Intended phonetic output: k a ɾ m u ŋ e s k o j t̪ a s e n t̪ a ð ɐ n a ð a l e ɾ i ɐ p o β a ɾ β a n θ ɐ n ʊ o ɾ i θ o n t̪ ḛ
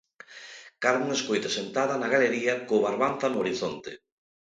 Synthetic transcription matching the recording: k a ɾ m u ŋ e s k o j t̪ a s e n t̪ a ð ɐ n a ɣ a l e ɾ i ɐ k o β a ɾ β a n θ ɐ n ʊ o ɾ i θ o n t̪ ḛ